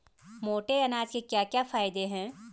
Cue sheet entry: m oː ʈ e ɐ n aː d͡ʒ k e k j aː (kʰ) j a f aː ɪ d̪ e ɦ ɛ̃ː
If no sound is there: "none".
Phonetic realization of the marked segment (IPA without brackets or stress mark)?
k